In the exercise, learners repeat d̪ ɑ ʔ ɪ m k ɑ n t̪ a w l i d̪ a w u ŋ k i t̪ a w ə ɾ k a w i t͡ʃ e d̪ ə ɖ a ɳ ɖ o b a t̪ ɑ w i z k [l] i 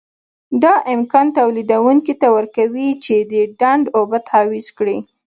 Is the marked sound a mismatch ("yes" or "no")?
yes